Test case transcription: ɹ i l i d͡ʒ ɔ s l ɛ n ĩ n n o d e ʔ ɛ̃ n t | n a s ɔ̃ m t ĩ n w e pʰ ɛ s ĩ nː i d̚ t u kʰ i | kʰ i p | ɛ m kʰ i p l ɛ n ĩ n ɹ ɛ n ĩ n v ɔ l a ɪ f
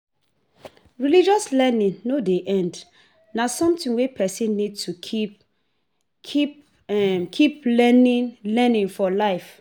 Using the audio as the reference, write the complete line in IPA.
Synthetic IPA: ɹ i l i d͡ʒ ɔ s l ɛ n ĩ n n o d e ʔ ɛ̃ n d | n a s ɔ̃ m t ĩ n w e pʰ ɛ s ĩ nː i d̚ t u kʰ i | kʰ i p | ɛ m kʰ i p l ɛ n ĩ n l ɛ n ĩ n f ɔ l a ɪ f